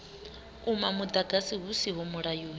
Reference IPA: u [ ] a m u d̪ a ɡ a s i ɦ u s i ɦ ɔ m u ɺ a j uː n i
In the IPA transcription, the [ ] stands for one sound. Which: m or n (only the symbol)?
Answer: m